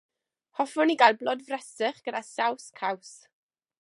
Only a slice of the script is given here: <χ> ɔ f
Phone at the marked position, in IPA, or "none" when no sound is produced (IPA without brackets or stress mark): h